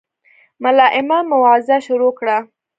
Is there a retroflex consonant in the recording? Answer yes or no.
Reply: yes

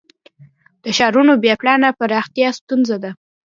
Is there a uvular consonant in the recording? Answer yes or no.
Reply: no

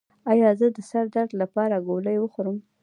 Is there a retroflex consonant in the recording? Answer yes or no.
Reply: no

